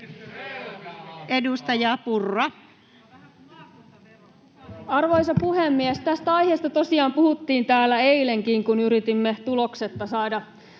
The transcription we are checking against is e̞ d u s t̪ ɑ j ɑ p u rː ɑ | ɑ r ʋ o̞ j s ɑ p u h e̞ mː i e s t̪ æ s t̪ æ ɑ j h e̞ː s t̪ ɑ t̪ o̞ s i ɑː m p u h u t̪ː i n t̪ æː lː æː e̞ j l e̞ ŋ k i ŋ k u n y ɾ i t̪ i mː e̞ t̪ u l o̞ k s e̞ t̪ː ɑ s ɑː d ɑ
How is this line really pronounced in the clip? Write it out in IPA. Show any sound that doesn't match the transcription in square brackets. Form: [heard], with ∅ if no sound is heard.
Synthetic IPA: e̞ d u s t̪ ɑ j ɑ p u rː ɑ | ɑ r ʋ o̞ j s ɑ p u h e̞ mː i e s t̪ æ s t̪ æ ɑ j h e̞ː s t̪ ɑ t̪ o̞ s i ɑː m p u h u t̪ː [iː] n t̪ æː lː [æ] e̞ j l e̞ ŋ k i ŋ k u n y ɾ i t̪ i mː e̞ t̪ u l o̞ k s e̞ t̪ː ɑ s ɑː d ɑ